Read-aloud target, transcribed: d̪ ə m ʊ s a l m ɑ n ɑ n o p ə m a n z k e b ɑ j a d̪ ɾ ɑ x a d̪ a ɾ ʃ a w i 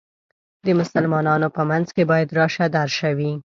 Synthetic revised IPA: d̪ ə m ʊ s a l m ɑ n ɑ n o p ə m a n z k e b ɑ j a d̪ ɾ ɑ ʃ a d̪ a ɾ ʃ a w i